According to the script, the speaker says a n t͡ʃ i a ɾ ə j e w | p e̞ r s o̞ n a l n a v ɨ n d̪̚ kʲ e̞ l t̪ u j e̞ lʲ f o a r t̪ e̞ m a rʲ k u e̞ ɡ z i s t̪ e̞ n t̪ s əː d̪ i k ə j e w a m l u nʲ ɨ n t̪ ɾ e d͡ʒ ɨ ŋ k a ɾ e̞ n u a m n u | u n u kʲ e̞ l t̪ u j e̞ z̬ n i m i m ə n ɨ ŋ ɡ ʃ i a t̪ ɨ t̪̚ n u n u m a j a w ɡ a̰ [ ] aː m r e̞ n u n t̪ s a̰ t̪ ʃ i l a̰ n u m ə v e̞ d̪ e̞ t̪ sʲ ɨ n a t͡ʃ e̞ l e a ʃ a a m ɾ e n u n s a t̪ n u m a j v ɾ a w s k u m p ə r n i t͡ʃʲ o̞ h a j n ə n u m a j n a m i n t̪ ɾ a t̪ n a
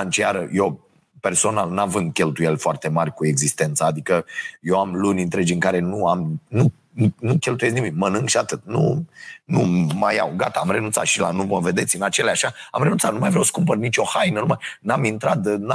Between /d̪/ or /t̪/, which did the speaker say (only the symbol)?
t̪